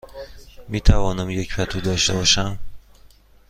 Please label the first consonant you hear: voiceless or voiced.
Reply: voiced